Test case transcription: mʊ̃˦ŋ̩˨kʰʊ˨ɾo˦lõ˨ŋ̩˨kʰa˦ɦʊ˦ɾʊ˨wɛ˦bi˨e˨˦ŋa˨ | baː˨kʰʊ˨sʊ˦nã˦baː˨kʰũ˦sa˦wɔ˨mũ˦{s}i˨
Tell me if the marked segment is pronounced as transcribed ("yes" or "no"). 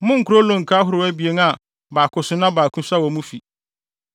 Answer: no